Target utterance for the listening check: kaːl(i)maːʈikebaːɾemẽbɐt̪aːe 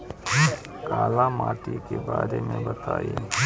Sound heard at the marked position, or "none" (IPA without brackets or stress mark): a